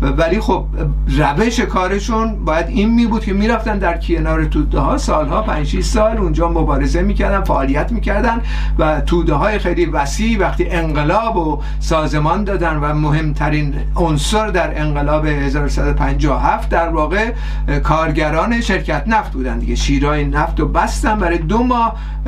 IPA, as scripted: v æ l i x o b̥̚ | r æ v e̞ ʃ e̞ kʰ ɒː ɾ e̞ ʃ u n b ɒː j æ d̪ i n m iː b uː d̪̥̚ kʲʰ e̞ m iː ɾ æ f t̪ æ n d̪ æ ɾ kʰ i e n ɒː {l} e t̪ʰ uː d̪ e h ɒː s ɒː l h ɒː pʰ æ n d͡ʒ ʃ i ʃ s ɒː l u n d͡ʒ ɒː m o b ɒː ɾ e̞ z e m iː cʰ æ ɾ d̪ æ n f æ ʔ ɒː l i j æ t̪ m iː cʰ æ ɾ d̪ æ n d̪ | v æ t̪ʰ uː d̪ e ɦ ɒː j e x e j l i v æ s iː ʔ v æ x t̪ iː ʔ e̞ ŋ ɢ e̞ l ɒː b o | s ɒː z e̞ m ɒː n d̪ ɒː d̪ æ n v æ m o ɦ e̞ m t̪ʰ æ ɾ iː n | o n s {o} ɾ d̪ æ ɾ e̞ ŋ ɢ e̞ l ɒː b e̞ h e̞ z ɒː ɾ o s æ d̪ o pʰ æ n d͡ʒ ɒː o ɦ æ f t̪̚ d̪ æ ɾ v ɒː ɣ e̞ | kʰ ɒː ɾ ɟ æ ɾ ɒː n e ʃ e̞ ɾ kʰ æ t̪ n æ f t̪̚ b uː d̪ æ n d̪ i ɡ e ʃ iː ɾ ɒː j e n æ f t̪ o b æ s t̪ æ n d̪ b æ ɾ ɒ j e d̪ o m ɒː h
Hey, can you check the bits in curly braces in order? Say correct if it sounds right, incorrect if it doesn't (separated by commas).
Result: incorrect, correct